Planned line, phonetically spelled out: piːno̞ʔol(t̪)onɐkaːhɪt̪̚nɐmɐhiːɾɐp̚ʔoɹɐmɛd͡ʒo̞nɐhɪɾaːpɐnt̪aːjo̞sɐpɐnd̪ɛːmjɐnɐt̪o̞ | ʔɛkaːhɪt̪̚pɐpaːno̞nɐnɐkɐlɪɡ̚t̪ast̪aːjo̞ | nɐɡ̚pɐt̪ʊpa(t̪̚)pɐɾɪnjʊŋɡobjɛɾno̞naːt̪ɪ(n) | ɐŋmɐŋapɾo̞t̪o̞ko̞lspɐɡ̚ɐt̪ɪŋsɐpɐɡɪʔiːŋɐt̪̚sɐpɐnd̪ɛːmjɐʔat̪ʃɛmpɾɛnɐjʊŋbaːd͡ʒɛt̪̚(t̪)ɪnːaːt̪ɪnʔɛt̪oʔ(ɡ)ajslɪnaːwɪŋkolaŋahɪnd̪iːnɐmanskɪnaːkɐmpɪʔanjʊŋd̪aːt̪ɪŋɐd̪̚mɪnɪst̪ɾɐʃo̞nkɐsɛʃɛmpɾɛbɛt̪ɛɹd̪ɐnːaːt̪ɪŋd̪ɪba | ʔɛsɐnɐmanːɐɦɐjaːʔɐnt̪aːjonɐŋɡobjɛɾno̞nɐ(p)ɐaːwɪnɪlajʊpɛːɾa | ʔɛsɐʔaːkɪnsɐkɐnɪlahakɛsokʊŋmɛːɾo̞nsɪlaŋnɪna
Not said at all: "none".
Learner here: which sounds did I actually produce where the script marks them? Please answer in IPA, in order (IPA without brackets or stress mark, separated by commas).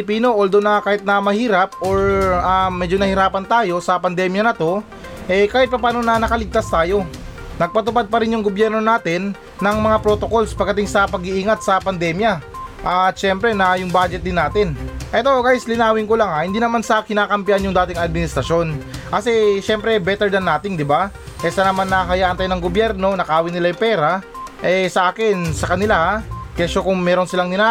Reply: d̪, d̪̚, nː, d̪, ɡ, k